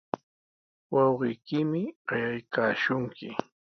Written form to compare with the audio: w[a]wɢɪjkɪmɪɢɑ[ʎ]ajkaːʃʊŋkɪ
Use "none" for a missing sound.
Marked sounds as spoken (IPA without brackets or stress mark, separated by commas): ɑ, j